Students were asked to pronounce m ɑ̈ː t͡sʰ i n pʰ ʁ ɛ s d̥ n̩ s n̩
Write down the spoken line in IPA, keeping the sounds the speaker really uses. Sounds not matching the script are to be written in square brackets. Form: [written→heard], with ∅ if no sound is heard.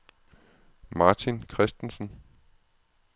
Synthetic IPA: m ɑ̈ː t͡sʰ i n [pʰ→kʰ] ʁ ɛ s d̥ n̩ s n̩